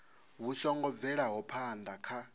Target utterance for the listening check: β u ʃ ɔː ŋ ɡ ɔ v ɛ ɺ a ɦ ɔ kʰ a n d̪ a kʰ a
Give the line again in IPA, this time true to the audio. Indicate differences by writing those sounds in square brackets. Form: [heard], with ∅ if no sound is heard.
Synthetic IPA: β u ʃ [ɔ] ŋ ɡ ɔ v ɛ ɺ a ɦ ɔ [pʰ] a n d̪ a kʰ a